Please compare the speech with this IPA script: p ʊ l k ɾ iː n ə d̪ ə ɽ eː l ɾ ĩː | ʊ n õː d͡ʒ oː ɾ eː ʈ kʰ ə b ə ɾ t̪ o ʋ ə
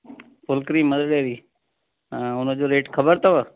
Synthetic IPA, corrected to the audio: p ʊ l k ɾ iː m ə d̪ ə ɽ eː ɾ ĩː | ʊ n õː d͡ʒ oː ɾ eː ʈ kʰ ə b ə ɾ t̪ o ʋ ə